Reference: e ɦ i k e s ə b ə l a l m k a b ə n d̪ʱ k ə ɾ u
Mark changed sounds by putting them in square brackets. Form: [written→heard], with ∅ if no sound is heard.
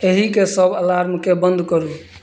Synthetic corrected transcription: e ɦ i k e s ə b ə l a [l→ɾ] m k [a→e] b ə n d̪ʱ k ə ɾ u

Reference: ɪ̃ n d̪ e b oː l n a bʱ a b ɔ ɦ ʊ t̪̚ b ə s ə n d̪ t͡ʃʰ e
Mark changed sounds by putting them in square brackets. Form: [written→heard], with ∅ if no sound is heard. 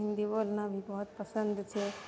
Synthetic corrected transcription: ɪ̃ n d̪ [e→i] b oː l n a bʱ [a→i] b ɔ ɦ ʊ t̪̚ [b→p] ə s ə n d̪ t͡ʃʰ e

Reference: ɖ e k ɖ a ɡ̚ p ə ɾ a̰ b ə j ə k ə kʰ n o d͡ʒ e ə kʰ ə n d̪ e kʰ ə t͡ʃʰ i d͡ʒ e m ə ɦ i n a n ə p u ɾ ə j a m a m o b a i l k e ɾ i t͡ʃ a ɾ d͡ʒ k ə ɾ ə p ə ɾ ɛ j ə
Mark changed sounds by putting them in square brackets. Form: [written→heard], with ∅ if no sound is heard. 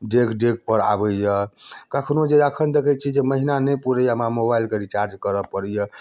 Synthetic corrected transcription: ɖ e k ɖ [a→e] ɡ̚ p ə ɾ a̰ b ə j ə k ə kʰ n o d͡ʒ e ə kʰ ə n d̪ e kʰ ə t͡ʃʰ i d͡ʒ e m ə ɦ i n a n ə p u ɾ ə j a m a m o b a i l k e ɾ i t͡ʃ a ɾ d͡ʒ k ə ɾ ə p ə ɾ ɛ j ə

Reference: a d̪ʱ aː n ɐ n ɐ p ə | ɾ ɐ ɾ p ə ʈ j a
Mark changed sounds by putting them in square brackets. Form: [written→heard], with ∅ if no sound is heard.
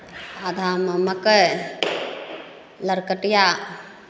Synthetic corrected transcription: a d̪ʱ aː [n→m] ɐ [n→m] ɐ [p→k] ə | [ɾ→l] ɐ ɾ [p→k] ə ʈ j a

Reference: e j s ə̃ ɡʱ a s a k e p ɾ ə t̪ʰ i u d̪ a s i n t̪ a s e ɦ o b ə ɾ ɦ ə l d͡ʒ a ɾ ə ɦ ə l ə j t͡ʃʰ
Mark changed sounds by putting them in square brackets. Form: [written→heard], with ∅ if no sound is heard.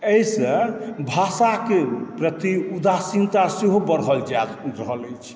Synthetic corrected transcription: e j s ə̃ [ɡʱ→bʱ] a s a k e p ɾ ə [t̪ʰ→t̪] i u d̪ a s i n t̪ a s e ɦ o b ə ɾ ɦ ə l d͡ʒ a ɾ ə ɦ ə l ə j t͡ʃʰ

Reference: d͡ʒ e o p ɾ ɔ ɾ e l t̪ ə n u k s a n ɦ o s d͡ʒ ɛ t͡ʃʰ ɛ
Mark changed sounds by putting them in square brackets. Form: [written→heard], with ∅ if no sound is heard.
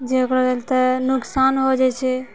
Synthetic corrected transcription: d͡ʒ e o [p→k] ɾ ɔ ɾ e l t̪ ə n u k s a n ɦ o [s→∅] d͡ʒ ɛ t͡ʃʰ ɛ

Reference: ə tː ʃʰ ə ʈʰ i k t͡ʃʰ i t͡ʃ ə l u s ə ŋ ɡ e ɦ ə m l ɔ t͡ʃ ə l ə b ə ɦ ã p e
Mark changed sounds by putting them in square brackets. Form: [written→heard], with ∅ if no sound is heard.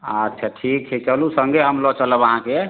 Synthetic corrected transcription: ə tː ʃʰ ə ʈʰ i k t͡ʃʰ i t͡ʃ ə l u s ə ŋ ɡ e ɦ ə m l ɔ t͡ʃ ə l ə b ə ɦ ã [p→k] e

